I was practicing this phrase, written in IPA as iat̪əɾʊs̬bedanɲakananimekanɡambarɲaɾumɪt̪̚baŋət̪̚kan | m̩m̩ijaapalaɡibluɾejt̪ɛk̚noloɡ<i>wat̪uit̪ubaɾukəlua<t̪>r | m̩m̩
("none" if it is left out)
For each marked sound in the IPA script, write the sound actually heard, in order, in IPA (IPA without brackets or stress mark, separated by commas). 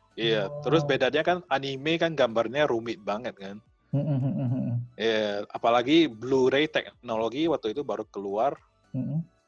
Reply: i, none